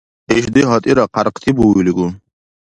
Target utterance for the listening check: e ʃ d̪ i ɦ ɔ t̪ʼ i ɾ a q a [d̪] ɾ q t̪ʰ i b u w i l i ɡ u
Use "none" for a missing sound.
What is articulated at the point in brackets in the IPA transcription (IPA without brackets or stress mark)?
none